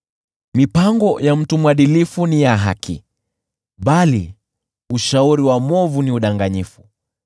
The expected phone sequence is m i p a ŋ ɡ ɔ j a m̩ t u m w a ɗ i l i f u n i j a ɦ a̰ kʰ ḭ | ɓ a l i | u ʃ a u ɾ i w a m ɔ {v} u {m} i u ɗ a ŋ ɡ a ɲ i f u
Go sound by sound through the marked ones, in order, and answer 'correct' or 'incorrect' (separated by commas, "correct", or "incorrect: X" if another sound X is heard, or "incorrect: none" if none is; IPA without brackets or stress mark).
correct, incorrect: n